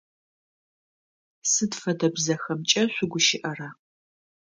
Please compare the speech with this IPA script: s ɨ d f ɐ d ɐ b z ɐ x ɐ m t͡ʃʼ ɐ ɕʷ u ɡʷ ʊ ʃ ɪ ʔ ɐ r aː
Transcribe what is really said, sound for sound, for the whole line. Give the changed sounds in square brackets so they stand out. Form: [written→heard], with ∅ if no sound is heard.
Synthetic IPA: s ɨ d f ɐ d ɐ b z ɐ x ɐ m t͡ʃʼ ɐ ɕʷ [u→ʊ] ɡʷ ʊ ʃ ɪ ʔ ɐ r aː